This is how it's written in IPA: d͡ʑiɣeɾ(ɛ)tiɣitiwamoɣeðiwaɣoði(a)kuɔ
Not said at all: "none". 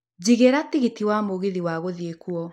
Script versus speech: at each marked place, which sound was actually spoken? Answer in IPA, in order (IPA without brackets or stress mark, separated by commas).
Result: a, e